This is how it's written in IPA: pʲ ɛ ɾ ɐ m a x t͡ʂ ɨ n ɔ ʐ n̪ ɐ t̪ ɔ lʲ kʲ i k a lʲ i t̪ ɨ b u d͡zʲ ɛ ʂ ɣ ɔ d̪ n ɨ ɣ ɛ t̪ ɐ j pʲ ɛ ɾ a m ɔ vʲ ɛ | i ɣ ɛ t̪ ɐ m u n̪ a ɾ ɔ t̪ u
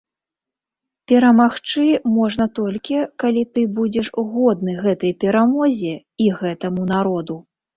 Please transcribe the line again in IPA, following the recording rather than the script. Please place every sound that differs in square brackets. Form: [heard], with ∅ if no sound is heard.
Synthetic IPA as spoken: pʲ ɛ ɾ ɐ m a x t͡ʂ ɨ [m] ɔ ʐ n̪ ɐ t̪ ɔ lʲ kʲ i k a lʲ i t̪ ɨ b u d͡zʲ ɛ ʂ ɣ ɔ d̪ n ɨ ɣ ɛ t̪ ɐ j pʲ ɛ ɾ a m ɔ [zʲ] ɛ | i ɣ ɛ t̪ ɐ m u n̪ a ɾ ɔ [d̪] u